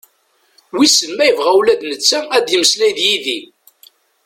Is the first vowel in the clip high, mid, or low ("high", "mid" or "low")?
high